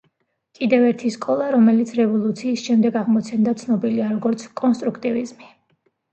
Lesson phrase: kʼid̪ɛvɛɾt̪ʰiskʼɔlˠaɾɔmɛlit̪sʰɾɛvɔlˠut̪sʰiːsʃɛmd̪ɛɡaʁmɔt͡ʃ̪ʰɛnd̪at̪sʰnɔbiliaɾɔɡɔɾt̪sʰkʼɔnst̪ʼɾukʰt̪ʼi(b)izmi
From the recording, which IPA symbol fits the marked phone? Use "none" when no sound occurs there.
v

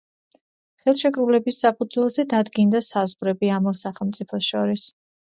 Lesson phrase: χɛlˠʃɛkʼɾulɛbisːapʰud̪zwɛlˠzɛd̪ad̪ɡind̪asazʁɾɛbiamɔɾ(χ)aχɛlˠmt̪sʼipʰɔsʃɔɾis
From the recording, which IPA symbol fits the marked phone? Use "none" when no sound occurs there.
s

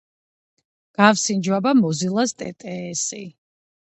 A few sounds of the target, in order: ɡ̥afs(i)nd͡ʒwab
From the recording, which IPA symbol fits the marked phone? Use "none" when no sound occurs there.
i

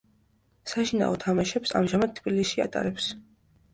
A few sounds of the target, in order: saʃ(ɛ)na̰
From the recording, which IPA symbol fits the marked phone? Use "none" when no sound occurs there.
i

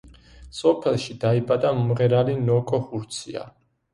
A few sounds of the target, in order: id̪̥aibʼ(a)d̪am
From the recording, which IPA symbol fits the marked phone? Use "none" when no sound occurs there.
a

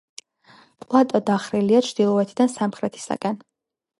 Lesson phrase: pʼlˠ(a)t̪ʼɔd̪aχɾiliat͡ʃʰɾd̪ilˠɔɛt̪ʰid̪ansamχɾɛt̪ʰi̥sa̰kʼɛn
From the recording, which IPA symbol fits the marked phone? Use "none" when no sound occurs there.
a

